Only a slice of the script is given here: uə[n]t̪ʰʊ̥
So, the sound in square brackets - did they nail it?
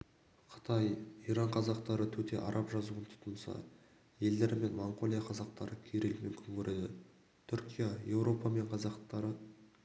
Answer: yes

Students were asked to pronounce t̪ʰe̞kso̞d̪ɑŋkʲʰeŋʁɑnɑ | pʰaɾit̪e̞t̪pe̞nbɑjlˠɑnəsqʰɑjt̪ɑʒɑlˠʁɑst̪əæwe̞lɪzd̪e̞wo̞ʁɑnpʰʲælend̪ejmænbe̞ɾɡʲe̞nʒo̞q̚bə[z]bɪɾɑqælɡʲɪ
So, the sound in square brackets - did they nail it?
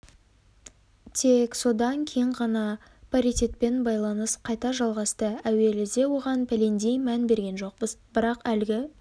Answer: yes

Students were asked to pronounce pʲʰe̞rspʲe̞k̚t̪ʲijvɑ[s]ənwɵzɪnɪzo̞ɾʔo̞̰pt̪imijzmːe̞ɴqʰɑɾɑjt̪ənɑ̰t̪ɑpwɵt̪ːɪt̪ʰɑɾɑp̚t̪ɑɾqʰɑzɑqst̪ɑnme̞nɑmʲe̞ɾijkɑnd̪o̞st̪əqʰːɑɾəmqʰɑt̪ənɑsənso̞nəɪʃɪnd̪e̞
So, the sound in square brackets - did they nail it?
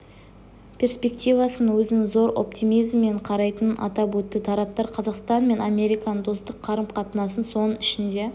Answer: yes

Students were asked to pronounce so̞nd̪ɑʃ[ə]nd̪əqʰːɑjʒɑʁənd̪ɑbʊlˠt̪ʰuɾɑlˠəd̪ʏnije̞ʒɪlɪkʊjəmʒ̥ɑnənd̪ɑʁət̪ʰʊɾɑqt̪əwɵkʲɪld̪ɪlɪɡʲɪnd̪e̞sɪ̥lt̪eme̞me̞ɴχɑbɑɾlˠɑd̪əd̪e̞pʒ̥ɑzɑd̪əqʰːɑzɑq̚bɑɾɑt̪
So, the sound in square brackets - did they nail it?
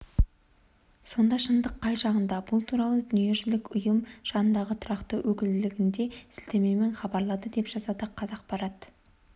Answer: yes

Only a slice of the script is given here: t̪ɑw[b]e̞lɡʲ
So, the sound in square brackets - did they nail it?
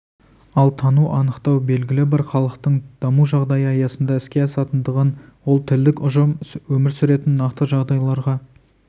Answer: yes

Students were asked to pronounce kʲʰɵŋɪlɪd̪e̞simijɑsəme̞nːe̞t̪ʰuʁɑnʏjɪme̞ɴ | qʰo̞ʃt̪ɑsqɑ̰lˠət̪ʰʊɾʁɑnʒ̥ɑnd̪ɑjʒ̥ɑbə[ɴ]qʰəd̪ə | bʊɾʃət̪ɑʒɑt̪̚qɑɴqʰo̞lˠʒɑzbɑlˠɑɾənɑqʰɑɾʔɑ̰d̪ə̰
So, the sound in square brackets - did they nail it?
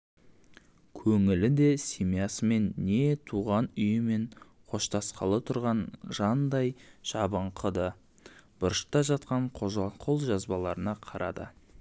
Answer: yes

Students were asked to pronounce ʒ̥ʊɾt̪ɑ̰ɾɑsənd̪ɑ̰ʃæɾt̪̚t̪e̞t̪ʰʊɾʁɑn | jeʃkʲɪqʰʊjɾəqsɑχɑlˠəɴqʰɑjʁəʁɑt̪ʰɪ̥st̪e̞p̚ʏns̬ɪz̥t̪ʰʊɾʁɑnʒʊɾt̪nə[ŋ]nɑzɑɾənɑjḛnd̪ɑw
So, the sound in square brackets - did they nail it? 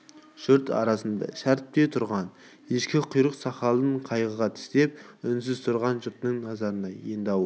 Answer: yes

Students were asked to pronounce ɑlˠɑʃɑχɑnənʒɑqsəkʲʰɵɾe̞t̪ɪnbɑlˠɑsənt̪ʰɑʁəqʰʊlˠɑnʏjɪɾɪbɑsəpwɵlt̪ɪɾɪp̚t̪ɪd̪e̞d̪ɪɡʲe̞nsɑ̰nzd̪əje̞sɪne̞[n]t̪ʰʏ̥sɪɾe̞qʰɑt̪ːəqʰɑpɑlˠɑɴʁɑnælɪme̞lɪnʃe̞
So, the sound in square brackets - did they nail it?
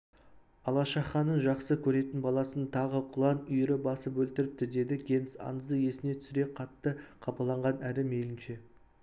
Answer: no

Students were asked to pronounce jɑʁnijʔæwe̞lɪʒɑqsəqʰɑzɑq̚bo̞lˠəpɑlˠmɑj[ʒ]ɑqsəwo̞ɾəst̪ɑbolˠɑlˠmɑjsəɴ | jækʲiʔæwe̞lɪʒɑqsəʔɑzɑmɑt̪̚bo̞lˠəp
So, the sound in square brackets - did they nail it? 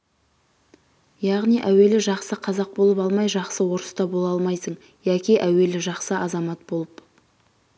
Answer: yes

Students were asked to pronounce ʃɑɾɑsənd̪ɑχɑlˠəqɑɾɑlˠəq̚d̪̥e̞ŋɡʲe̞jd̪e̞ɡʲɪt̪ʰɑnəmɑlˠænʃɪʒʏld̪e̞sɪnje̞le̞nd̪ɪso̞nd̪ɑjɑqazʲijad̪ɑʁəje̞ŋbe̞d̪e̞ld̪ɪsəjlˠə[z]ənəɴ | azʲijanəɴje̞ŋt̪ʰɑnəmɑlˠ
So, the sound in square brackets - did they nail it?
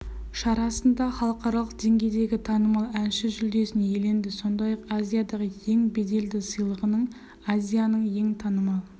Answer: no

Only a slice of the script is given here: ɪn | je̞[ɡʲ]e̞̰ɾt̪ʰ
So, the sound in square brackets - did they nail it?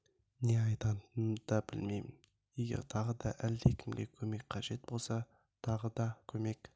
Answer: yes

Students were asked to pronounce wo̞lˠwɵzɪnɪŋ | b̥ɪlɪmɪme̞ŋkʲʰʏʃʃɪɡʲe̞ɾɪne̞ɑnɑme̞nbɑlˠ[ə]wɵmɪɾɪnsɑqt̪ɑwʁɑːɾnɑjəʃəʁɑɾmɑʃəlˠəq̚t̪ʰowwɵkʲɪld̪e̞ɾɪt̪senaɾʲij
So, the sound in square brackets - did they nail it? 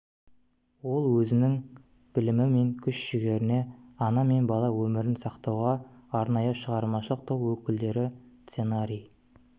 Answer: no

